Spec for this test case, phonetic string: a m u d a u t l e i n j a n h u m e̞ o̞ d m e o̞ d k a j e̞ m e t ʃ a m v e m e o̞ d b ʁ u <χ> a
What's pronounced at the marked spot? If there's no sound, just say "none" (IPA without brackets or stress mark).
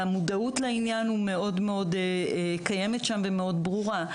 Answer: ʁ